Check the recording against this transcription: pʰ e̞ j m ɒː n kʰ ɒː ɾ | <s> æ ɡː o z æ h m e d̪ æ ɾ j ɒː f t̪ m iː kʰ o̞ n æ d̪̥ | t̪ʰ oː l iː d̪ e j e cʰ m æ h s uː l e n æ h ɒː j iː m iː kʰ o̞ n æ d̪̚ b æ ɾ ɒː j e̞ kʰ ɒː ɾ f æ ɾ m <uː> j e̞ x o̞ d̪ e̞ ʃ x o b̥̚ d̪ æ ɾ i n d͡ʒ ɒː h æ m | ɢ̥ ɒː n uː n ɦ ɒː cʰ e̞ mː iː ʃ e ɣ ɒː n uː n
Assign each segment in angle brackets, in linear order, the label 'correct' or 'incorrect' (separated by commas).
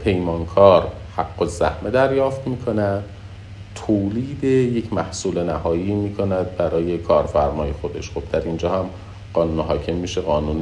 incorrect, incorrect